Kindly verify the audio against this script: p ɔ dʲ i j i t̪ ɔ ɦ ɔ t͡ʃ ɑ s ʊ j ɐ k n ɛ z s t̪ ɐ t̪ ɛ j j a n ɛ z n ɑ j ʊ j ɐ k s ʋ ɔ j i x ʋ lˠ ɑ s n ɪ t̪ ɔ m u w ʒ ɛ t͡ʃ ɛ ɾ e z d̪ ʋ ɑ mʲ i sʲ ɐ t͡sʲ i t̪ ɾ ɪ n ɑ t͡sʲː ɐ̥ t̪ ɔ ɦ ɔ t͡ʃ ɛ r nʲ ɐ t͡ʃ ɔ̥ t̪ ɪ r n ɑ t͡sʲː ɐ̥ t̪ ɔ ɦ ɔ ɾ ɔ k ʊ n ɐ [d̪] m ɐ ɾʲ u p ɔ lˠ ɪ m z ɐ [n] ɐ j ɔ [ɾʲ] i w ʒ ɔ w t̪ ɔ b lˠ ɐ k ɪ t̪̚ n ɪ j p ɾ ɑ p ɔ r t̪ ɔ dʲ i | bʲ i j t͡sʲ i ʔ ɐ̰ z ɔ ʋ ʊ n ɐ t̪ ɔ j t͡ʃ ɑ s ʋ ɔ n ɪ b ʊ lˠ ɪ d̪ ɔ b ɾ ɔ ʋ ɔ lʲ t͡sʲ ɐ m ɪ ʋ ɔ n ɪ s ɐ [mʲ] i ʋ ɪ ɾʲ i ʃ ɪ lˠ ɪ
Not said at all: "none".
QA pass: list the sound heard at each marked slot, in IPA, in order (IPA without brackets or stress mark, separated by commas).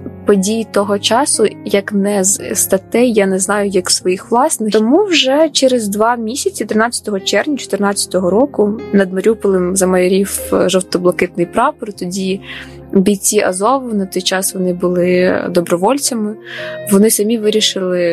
d̪, m, ɾʲ, mʲ